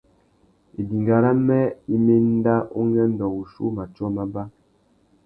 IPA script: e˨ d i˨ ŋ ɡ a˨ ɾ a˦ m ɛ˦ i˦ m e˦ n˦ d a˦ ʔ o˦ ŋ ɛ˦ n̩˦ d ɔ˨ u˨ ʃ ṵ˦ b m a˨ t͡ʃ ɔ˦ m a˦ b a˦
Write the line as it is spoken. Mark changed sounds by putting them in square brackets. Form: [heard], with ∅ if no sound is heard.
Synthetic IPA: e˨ d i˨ ŋ ɡ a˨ ɾ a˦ m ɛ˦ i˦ m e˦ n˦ d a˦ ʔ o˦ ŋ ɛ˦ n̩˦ d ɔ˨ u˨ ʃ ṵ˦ [∅] m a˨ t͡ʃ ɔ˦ m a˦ b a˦